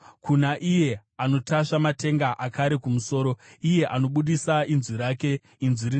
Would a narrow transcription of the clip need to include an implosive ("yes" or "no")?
yes